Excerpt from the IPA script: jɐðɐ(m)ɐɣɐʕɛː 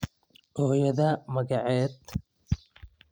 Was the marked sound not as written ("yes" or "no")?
no